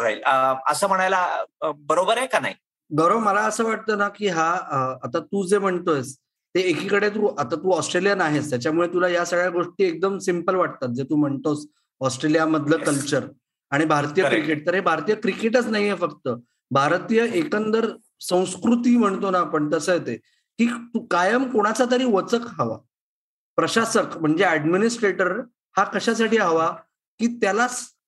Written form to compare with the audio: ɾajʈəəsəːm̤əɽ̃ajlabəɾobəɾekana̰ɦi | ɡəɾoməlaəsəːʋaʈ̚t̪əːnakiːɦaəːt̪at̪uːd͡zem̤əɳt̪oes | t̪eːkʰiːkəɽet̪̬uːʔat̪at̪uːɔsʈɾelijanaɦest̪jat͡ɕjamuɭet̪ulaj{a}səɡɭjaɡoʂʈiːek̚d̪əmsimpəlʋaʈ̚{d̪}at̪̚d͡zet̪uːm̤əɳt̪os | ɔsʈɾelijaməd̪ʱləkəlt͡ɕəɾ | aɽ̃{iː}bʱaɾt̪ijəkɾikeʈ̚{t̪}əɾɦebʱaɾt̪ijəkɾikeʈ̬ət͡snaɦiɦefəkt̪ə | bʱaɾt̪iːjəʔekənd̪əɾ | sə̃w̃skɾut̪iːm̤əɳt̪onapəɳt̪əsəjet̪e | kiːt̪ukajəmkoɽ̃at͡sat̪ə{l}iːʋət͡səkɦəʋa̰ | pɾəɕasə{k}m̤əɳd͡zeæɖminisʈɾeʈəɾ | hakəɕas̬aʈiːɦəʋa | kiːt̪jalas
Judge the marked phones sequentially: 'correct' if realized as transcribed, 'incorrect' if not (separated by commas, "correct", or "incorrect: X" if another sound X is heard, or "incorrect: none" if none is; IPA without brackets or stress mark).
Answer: correct, incorrect: t̪, incorrect: i, correct, incorrect: ɾ, correct